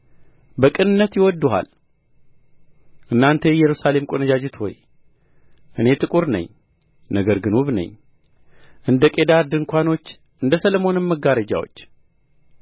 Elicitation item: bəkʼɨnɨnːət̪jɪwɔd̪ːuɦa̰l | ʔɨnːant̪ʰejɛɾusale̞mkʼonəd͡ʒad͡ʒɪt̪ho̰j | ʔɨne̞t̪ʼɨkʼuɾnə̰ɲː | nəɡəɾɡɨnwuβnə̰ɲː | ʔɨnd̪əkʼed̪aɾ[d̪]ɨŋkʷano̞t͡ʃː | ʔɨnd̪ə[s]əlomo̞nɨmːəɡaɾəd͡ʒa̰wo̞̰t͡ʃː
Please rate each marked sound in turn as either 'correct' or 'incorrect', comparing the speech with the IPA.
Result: correct, correct

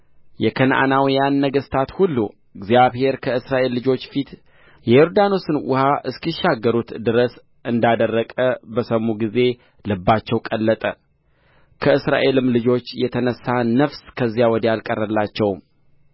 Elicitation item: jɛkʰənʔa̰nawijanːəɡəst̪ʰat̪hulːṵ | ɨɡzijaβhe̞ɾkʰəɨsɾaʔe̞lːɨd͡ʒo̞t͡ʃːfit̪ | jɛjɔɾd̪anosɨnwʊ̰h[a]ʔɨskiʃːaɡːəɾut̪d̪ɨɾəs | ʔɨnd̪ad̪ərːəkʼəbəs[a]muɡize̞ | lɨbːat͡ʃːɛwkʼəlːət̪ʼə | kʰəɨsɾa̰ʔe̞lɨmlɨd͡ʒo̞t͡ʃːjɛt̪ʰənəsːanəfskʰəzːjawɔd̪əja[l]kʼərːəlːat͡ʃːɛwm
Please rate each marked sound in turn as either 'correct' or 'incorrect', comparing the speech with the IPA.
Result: correct, incorrect: ə, correct

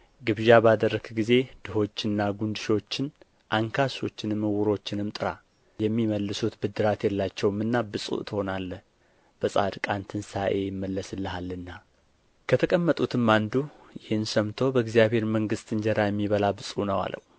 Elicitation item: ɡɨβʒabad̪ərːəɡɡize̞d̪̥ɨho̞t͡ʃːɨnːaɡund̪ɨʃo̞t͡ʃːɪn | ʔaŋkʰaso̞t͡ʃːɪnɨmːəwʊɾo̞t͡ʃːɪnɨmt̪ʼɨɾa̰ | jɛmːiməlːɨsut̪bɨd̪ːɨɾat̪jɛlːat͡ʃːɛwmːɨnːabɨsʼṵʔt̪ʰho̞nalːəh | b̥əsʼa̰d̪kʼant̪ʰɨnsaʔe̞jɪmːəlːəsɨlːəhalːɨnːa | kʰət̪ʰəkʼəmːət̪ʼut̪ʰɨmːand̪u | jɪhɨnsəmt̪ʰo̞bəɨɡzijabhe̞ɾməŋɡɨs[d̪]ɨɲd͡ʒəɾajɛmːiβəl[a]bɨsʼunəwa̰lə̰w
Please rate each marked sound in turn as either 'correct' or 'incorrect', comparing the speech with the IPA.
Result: incorrect: t̪, correct

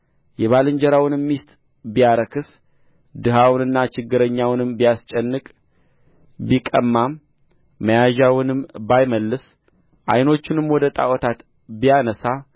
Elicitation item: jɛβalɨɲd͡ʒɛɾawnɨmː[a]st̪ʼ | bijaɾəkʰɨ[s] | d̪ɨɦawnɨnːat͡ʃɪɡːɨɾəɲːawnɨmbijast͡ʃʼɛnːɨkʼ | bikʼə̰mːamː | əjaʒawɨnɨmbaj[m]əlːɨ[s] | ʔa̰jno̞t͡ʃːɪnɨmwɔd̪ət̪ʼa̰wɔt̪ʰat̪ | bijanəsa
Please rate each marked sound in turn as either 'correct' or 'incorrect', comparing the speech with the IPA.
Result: incorrect: i, correct, correct, correct

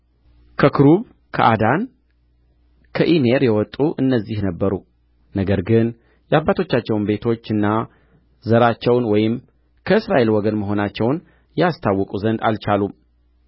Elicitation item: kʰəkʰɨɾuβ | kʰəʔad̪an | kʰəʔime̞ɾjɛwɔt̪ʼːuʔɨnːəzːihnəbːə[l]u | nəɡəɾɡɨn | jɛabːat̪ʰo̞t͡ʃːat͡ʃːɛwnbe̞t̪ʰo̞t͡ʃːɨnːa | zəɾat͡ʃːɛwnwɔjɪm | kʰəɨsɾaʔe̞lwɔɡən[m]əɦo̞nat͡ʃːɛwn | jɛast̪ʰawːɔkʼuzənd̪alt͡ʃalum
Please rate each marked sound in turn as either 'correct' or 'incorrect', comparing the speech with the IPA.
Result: incorrect: ɾ, correct

